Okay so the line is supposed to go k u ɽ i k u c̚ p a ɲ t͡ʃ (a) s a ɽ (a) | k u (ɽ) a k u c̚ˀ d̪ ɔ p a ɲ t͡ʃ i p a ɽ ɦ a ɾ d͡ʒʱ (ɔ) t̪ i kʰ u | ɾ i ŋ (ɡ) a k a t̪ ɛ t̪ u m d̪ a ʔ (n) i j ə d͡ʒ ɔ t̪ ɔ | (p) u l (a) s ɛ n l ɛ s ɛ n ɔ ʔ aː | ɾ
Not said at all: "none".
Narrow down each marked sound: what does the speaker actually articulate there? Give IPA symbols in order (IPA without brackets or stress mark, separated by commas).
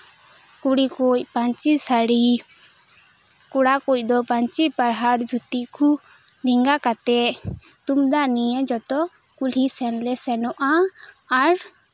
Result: i, i, ɽ, u, ɡ, n, k, i